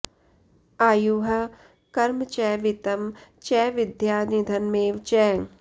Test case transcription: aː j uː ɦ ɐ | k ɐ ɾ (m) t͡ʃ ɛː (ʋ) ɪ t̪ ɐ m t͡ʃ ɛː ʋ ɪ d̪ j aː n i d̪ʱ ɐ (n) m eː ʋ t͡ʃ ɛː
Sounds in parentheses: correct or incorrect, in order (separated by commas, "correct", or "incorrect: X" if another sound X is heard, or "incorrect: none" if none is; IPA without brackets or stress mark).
correct, correct, correct